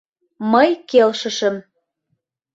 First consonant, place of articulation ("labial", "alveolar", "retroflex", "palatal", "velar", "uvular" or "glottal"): labial